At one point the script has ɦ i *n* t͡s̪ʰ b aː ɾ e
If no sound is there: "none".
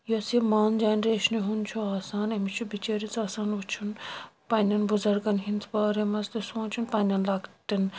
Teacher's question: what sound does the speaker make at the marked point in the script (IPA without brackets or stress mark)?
n